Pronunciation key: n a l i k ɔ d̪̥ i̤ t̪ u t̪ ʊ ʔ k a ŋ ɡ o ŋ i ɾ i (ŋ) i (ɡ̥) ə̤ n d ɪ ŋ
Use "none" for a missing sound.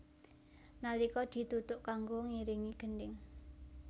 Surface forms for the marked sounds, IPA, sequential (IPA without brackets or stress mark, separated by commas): ŋ, ɡ̥